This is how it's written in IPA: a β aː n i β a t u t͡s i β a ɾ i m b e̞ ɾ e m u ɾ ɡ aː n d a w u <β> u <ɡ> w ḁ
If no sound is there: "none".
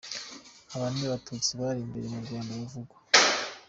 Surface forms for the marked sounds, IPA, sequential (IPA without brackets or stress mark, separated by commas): v, ɡ